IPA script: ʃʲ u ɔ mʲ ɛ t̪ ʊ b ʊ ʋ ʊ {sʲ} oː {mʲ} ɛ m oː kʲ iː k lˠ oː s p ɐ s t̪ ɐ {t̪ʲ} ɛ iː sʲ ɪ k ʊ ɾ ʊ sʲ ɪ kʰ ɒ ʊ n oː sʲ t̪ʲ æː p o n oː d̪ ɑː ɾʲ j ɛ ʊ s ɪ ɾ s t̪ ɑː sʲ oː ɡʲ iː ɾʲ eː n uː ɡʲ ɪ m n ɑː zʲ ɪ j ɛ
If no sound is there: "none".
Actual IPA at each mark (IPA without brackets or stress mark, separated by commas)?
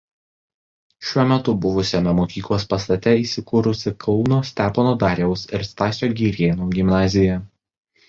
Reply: sʲ, mʲ, t̪ʲ